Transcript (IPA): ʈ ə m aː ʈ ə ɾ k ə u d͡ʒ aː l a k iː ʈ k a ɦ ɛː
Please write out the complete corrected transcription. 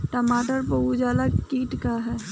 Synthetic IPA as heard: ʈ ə m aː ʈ ə ɾ p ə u d͡ʒ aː l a k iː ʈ k a ɦ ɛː